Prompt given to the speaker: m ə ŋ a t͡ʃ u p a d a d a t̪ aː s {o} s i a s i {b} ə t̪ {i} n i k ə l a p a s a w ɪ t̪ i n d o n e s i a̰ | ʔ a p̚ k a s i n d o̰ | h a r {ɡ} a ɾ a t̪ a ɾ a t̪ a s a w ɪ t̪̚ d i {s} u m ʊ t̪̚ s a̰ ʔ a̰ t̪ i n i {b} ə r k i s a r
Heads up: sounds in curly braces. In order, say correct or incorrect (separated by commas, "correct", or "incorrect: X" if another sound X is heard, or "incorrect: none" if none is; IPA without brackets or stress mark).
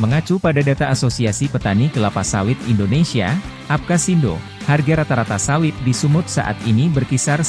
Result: correct, incorrect: p, incorrect: a, correct, correct, correct